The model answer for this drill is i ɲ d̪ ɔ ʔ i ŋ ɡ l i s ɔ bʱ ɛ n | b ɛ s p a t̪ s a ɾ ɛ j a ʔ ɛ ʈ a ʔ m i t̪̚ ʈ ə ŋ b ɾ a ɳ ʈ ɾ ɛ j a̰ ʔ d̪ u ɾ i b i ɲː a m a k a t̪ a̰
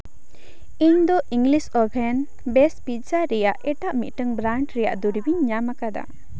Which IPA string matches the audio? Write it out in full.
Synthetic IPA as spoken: i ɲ d̪ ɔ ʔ i ŋ ɡ l i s ɔ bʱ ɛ n | b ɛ s p i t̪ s a ɾ ɛ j a ʔ ɛ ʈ a ʔ m i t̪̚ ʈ ə ŋ b ɾ a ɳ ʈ ɾ ɛ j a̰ ʔ d̪ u ɾ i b i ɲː a m a k a d̪ a̰